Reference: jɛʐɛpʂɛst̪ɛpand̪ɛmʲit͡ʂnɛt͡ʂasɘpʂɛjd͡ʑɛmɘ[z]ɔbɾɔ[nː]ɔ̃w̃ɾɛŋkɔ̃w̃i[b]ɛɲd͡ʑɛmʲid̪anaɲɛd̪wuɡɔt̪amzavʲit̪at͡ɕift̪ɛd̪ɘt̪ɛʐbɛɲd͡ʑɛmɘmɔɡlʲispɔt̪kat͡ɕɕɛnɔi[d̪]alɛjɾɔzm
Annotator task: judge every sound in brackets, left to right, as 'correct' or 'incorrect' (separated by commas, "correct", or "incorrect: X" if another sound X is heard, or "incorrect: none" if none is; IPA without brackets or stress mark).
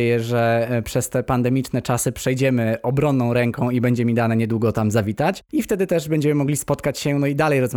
incorrect: none, correct, correct, correct